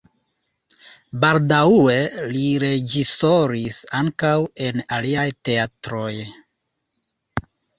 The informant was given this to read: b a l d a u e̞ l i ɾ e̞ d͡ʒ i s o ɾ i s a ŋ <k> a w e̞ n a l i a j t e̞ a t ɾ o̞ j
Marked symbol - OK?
yes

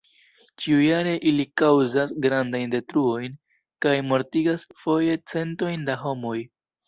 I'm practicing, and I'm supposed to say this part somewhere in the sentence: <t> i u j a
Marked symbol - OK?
no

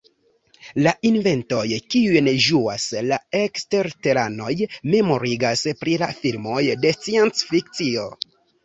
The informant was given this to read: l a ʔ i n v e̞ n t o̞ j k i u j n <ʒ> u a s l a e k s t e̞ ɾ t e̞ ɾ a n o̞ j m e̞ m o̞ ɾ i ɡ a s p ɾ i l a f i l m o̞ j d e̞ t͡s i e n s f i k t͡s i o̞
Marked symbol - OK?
yes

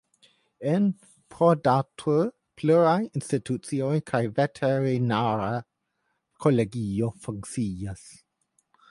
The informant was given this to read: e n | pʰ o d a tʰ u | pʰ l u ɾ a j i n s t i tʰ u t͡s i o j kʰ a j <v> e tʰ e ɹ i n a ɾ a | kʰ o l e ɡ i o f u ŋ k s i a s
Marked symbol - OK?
yes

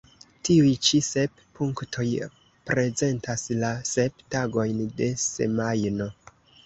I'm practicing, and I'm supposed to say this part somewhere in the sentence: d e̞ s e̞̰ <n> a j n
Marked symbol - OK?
no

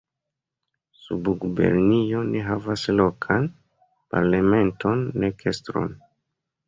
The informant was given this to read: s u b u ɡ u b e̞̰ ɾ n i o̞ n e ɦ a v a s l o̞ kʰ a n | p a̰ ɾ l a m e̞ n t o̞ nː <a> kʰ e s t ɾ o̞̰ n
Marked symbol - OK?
no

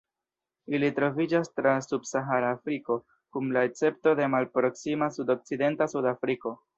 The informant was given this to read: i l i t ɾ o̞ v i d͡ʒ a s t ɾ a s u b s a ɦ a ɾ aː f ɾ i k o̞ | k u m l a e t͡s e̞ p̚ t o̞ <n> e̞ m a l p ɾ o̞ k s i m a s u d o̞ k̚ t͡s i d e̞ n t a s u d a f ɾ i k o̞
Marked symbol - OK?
no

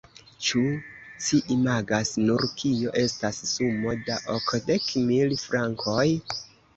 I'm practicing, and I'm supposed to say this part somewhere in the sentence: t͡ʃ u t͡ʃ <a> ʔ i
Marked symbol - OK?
no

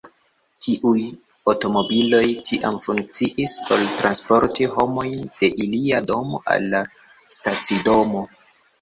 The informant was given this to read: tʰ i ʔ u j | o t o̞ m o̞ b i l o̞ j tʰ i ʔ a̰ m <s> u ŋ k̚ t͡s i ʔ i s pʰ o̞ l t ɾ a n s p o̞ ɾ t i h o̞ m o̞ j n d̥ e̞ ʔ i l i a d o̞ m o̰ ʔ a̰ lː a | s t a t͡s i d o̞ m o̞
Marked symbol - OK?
no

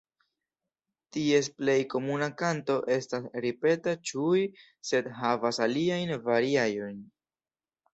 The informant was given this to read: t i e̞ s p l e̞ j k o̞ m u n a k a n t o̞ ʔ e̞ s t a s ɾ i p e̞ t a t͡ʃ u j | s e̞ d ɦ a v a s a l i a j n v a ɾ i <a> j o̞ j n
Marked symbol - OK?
yes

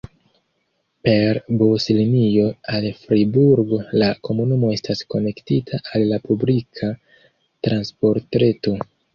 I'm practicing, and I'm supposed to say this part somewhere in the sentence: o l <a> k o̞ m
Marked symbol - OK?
yes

